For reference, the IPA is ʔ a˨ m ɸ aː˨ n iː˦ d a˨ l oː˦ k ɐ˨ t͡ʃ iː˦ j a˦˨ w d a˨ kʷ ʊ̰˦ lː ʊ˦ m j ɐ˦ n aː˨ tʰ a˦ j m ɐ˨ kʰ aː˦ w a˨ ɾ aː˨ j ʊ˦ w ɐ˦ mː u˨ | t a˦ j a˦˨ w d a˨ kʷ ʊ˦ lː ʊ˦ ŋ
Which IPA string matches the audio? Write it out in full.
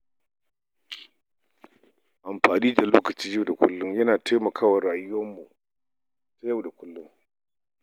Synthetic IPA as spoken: ʔ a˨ m ɸ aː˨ n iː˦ d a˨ l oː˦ k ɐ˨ t͡ʃ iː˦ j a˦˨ w d a˨ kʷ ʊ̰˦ lː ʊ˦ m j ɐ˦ n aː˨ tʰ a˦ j m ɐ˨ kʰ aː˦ w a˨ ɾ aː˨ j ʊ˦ w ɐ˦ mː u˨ | t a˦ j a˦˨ w d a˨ kʷ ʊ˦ lː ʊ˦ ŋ

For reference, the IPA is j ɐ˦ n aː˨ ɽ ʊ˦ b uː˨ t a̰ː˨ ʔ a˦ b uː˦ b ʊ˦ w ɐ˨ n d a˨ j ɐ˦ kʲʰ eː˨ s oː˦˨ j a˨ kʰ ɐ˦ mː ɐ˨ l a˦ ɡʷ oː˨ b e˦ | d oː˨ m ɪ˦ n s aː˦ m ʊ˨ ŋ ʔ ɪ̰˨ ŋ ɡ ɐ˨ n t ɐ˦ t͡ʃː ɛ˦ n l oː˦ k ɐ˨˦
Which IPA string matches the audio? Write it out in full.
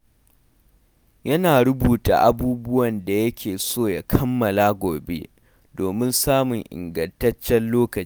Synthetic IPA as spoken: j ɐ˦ n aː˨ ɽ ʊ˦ b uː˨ t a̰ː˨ ʔ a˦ b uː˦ b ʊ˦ w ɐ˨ n d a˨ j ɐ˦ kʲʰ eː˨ s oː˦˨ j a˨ kʰ ɐ˦ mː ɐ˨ l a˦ ɡʷ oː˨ b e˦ | d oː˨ m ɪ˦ n s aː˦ m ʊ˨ ŋ ʔ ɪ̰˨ ŋ ɡ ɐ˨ n t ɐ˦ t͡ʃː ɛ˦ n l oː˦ k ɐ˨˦

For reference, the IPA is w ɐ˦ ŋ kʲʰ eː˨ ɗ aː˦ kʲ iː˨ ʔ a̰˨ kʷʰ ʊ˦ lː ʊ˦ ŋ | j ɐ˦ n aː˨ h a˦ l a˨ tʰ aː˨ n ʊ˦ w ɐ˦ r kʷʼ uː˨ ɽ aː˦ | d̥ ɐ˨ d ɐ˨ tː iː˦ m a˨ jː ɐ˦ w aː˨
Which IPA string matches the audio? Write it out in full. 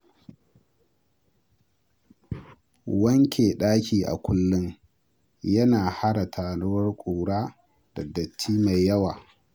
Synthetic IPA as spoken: w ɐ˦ ŋ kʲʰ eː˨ ɗ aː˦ kʲ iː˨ ʔ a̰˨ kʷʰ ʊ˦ lː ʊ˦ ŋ | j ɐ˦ n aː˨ h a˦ ɽ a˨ tʰ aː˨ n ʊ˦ w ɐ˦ r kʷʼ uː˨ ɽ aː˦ | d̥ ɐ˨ d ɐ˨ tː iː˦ m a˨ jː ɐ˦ w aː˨

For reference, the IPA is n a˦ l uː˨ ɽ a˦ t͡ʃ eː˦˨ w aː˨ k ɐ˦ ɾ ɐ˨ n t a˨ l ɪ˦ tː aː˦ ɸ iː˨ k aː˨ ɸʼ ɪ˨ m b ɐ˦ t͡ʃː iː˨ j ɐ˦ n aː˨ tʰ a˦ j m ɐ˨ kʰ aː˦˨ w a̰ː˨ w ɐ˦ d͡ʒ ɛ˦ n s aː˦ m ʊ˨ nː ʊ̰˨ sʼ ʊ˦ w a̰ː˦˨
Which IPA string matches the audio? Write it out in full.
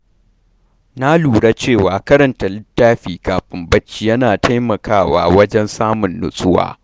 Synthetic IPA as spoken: n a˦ l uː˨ ɽ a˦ t͡ʃ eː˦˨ w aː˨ k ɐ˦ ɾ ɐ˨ n t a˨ l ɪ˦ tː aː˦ ɸ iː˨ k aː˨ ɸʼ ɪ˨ m b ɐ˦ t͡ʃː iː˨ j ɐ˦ n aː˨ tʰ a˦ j m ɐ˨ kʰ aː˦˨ w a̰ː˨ w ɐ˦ d͡ʒ ɛ˦ n s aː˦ m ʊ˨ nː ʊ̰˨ sʼ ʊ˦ w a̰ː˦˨

